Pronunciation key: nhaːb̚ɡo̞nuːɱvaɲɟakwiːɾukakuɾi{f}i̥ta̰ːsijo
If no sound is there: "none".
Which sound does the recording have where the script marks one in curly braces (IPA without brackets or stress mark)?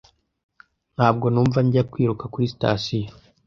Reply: s